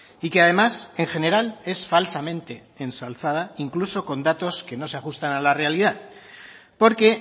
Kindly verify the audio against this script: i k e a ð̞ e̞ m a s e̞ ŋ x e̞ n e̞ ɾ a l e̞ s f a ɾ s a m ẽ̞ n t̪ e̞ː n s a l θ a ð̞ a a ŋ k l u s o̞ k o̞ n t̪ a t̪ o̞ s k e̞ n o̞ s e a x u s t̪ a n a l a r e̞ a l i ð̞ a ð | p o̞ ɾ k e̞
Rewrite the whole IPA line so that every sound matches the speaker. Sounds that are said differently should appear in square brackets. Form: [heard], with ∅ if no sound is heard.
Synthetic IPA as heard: i k e a ð̞ e̞ m a s e̞ ŋ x e̞ n e̞ ɾ a l e̞ s f a [l] s a m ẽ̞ n t̪ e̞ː n s a l θ a ð̞ a [i] ŋ k l u s o̞ k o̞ n [d̪] a t̪ o̞ s k e̞ n o̞ s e a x u s t̪ a n a l a r e̞ a l i ð̞ a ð | p o̞ ɾ k e̞